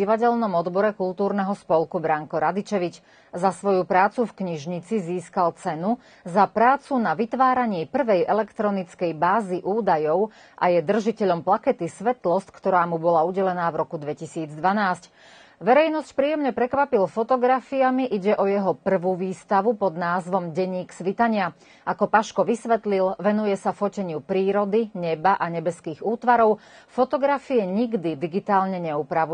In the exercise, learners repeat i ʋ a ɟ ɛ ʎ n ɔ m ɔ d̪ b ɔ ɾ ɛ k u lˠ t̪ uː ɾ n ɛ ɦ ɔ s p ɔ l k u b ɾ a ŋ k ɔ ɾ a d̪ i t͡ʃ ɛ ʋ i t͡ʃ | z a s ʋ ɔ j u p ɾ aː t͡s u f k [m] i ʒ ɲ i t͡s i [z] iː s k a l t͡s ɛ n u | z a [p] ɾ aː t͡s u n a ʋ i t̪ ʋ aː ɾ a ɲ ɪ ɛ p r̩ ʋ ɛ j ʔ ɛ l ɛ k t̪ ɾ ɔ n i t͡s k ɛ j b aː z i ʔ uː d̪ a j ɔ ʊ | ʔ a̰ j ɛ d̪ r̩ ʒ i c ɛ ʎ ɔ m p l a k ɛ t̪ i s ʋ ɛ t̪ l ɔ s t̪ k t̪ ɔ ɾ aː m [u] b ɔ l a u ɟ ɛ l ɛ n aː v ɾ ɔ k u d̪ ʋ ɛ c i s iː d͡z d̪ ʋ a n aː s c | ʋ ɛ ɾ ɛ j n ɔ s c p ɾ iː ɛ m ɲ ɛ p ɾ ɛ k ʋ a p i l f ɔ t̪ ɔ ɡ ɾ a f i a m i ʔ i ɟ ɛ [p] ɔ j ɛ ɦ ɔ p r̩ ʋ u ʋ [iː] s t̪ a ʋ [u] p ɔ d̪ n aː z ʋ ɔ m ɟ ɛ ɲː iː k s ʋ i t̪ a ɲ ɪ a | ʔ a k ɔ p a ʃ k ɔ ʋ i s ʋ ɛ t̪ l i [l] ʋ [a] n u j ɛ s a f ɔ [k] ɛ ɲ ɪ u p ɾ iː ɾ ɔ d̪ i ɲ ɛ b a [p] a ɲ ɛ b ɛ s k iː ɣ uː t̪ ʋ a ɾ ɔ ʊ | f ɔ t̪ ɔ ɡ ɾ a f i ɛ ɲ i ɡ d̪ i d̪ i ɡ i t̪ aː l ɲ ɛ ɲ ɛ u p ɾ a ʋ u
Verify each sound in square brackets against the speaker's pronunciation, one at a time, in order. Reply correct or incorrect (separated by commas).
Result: incorrect, correct, correct, correct, incorrect, correct, correct, correct, incorrect, incorrect, incorrect